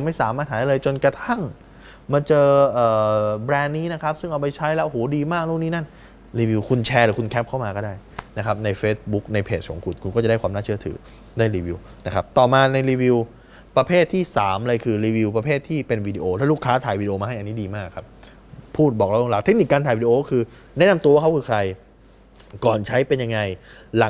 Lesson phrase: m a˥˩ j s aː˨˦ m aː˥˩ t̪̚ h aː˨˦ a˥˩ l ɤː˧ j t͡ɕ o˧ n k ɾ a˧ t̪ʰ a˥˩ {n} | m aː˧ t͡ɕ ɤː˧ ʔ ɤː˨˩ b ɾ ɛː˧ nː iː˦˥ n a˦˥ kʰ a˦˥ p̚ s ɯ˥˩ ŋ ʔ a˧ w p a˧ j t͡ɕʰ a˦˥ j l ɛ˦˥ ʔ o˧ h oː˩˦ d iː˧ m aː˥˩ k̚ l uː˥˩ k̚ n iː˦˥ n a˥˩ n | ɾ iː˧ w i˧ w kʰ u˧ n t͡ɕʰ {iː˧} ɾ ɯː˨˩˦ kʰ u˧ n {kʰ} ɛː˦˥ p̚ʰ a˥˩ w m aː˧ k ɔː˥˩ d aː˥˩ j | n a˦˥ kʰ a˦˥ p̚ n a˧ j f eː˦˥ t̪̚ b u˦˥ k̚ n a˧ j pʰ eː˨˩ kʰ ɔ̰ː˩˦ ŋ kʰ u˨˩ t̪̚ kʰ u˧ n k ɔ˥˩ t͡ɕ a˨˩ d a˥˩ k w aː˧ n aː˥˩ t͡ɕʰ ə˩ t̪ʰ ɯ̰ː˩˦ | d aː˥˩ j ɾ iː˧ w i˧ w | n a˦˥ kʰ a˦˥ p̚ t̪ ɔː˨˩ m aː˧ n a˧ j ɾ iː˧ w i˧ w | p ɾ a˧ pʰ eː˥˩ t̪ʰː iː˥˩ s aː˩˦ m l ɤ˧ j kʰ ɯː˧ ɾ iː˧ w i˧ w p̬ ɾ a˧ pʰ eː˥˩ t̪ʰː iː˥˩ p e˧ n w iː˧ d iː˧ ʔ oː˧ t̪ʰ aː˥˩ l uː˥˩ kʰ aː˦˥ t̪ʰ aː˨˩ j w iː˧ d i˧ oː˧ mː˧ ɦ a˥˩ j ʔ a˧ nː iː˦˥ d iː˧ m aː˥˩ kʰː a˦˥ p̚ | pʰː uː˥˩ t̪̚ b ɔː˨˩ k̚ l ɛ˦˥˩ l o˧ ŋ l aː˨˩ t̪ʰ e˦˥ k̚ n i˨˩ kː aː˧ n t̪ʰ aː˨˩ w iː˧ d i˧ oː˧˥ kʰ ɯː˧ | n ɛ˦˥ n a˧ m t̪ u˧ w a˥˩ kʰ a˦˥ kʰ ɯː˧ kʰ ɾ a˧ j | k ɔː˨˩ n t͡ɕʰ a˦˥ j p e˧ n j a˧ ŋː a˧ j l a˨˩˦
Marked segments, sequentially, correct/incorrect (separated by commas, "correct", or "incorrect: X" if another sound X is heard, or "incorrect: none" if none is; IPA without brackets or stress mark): incorrect: ŋ, incorrect: ɛː˧, correct